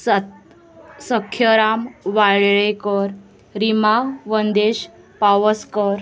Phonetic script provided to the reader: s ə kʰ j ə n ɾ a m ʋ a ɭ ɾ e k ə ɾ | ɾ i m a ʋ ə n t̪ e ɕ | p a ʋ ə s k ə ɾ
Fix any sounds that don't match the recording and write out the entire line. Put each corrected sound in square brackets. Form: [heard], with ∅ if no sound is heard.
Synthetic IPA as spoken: s ə kʰ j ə [∅] ɾ a m ʋ a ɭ [ɭ] e k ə ɾ | ɾ i m a ʋ ə n [d̪] e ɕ | p a ʋ ə s k ə ɾ